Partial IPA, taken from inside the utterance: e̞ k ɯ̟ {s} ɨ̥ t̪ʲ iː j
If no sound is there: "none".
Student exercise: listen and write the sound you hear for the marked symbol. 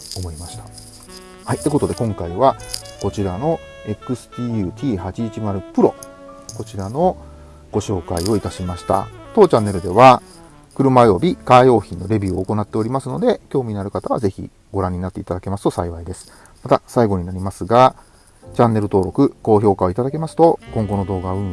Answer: s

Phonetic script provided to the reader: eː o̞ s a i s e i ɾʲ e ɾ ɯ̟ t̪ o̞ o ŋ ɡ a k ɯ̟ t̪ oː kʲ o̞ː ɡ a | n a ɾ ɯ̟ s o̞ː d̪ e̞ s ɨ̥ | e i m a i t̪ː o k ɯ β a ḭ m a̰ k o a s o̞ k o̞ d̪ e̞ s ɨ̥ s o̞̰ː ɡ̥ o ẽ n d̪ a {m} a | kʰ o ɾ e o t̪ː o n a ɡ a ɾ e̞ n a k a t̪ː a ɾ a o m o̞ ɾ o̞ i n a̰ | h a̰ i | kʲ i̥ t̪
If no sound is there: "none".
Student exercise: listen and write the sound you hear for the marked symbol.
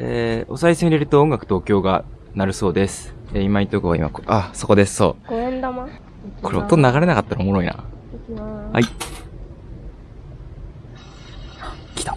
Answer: m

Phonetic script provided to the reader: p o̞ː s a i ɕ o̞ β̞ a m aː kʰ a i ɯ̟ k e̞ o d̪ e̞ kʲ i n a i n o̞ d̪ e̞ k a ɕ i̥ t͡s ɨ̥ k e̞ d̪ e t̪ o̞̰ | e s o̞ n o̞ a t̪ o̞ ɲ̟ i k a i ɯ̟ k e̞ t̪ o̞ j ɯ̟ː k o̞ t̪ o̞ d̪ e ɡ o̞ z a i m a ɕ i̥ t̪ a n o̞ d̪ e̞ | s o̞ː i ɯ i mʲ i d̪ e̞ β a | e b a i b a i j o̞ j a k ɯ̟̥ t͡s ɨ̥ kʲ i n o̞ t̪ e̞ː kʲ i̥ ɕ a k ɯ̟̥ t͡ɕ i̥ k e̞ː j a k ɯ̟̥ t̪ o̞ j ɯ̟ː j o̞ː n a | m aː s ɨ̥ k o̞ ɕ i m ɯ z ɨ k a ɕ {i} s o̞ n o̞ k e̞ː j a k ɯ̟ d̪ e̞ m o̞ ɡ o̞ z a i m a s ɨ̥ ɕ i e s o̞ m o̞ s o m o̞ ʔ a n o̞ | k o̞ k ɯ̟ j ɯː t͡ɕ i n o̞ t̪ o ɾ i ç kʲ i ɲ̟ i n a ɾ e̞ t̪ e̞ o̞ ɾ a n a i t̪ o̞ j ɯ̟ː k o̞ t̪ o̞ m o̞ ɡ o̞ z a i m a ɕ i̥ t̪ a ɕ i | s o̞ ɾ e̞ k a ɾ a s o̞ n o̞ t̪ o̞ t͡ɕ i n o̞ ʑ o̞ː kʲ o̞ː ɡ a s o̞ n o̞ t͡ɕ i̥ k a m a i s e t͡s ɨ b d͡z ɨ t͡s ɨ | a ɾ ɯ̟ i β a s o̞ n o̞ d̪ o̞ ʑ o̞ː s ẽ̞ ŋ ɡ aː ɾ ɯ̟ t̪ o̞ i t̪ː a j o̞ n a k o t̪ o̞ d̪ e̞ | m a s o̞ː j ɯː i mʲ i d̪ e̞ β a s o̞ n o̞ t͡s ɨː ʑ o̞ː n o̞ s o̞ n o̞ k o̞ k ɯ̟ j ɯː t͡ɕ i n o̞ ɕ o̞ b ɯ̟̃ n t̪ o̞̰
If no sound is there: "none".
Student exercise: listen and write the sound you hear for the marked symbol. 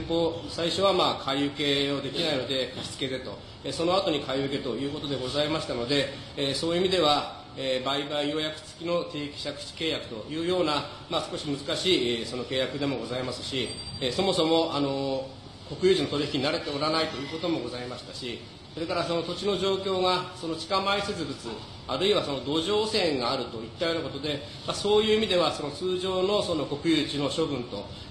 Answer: iː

